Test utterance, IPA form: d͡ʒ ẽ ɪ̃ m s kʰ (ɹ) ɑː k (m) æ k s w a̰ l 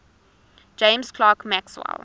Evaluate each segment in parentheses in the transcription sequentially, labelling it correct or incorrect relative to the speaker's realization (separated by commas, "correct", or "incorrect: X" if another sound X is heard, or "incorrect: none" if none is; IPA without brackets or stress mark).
incorrect: l, correct